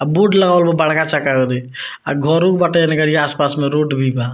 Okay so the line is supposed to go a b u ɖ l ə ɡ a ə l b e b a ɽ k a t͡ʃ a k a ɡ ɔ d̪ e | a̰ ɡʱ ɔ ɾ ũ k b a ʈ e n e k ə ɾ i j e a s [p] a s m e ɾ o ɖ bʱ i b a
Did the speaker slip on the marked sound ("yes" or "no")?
no